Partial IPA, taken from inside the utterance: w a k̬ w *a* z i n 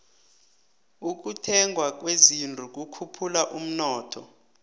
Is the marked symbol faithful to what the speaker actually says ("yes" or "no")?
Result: no